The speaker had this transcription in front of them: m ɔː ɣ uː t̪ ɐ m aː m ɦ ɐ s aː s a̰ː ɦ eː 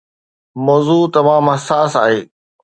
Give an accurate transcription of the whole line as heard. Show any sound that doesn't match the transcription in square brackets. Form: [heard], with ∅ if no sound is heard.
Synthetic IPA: m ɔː [z] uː t̪ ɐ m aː m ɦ ɐ s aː s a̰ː ɦ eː

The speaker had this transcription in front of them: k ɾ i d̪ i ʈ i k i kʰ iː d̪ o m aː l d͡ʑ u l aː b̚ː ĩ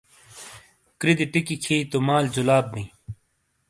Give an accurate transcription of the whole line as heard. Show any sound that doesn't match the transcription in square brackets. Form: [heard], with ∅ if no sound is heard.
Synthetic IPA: k ɾ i d̪ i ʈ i k i kʰ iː [t̪] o m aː l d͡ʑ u l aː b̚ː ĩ

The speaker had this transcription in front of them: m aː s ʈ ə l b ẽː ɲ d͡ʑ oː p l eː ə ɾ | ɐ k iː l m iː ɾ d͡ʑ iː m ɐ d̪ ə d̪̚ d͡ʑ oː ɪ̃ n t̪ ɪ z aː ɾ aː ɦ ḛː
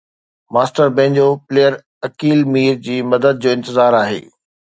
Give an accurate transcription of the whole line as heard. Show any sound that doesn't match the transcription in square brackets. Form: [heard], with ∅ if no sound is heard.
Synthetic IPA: m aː s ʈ ə [ɾ] b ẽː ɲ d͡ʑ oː p l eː ə ɾ | ɐ k iː l m iː ɾ d͡ʑ iː m ɐ d̪ ə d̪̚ d͡ʑ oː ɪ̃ n t̪ ɪ z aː ɾ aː ɦ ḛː

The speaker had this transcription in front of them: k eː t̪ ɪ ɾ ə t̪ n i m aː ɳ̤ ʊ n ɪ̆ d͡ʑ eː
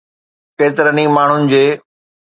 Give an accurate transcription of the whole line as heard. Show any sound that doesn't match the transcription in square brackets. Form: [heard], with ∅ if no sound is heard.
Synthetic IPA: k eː t̪ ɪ ɾ ə [∅] n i m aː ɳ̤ ʊ n ɪ̆ d͡ʑ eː

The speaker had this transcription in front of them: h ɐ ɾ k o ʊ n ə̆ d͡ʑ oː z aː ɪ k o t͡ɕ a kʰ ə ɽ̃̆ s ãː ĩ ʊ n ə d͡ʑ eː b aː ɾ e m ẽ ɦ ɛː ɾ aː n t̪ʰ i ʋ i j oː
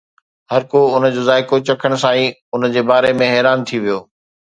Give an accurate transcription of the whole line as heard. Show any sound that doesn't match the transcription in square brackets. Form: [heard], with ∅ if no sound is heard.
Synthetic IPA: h ɐ ɾ k o ʊ n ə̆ d͡ʑ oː z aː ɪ k o t͡ɕ [ɐ] kʰ ə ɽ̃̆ s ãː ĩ ʊ n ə d͡ʑ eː b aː ɾ e m ẽ ɦ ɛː ɾ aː n t̪ʰ i ʋ i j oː

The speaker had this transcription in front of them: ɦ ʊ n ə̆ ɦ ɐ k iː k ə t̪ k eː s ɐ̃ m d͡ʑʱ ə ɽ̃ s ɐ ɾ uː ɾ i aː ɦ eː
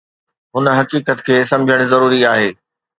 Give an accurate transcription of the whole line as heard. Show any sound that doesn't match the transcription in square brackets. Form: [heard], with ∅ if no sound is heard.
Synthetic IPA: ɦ ʊ n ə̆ ɦ ɐ k iː k ə t̪ [kʰ] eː s ɐ̃ m d͡ʑʱ ə ɽ̃ [z] ɐ ɾ uː ɾ i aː ɦ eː

